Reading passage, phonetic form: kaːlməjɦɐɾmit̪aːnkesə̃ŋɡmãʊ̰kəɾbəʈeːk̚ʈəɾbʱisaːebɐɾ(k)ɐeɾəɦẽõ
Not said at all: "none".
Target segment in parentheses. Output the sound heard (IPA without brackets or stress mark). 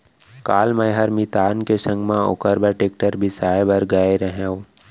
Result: ɡ